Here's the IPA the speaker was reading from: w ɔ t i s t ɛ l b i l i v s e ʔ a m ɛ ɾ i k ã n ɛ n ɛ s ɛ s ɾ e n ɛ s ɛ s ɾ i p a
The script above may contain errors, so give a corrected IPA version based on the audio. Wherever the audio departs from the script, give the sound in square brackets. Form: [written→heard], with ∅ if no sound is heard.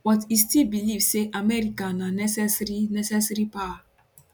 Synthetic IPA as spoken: w ɔ t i s t [ɛ→i] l b i l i v s e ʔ a m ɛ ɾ i k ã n [ɛ→a] n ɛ s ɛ s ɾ [e→i] n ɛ s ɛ s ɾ i p a